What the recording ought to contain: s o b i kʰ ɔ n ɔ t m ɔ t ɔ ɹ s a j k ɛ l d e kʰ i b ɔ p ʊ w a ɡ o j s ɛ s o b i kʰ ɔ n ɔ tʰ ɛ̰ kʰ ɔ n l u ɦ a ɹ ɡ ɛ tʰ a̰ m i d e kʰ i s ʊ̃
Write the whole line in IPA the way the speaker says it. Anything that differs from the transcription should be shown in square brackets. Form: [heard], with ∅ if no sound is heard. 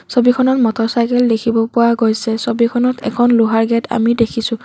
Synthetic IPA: s o b i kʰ ɔ n ɔ t m ɔ t ɔ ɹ s a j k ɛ l d e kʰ i b ɔ p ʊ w a ɡ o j s ɛ s o b i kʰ ɔ n ɔ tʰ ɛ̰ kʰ ɔ n l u ɦ a ɹ ɡ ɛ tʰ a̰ m i d e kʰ i s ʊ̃